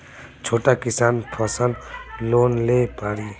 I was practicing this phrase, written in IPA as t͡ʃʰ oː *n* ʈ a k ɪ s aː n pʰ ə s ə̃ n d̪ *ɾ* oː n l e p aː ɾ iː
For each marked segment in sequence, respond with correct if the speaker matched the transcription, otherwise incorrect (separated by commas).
incorrect, incorrect